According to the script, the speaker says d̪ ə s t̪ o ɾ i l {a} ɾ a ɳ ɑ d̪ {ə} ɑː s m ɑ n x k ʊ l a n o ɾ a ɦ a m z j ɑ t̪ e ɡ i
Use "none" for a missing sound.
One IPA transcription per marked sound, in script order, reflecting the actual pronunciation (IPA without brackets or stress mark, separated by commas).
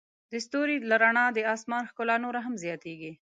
a, ə